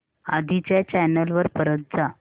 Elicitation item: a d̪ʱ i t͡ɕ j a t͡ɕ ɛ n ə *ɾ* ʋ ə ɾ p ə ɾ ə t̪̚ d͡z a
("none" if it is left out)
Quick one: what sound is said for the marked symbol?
l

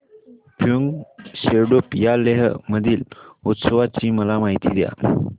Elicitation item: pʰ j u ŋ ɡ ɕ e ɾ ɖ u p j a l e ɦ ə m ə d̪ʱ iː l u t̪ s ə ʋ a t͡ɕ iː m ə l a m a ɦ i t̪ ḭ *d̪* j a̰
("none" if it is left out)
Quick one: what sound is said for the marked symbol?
d̪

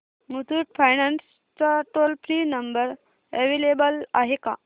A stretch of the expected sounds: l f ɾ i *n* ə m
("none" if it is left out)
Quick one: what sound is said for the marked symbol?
n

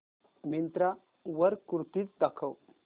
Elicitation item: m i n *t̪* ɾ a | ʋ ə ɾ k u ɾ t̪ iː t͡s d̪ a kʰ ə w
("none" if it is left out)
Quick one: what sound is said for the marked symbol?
t̪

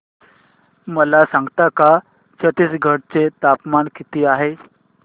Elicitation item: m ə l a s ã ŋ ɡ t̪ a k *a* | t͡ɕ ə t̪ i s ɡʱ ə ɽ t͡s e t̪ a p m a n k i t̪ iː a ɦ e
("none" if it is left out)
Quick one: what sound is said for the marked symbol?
a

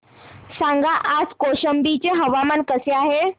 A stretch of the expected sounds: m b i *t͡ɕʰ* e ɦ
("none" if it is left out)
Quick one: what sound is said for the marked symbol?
t͡ɕ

